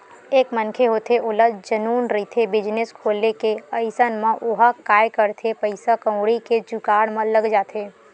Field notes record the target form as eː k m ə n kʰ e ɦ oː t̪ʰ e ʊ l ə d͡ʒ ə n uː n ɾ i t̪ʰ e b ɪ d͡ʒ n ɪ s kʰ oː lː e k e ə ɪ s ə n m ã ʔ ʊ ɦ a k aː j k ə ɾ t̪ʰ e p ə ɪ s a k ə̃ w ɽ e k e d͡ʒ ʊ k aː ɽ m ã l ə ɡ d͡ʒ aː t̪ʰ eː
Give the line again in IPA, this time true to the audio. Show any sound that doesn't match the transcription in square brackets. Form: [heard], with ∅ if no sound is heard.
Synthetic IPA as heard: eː k m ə n kʰ e ɦ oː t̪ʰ e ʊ l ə d͡ʒ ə n uː n ɾ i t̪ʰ e b ɪ d͡ʒ n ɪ s kʰ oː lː e k e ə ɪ s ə n m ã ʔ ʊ ɦ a k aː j k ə ɾ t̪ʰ e p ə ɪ s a k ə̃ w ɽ [i] k e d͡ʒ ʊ k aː ɽ m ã l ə ɡ d͡ʒ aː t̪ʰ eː